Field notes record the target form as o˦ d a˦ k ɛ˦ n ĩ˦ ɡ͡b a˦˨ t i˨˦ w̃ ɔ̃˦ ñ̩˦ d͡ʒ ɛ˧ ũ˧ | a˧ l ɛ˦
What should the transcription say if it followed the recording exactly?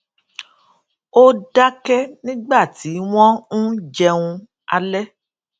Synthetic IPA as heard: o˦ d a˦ k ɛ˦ n ĩ˦ ɡ͡b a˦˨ t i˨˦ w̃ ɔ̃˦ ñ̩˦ d͡ʒ ɛ˧ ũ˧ | a˧ l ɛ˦